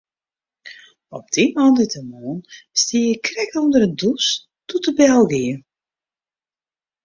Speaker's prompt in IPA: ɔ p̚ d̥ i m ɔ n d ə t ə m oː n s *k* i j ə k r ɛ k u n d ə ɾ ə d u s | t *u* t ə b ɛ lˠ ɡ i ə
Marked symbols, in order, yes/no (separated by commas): no, yes